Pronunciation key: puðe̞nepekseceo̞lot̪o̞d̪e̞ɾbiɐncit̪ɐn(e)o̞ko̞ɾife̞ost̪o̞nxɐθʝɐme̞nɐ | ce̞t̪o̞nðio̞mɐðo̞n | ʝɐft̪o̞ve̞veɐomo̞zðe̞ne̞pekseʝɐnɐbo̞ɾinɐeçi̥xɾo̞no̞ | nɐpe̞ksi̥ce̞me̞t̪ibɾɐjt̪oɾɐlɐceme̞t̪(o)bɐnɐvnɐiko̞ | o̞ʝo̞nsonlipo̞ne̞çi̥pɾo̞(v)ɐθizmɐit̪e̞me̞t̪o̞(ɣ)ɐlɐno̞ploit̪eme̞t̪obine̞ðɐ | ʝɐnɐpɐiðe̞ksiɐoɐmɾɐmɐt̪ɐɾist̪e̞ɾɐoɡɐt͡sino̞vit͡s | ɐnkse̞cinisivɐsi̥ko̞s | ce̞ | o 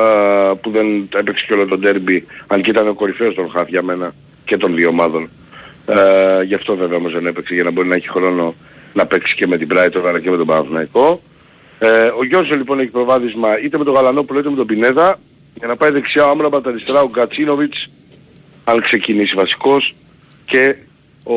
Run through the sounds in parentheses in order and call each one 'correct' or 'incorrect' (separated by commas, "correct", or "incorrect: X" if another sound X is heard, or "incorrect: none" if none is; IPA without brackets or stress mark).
correct, correct, correct, correct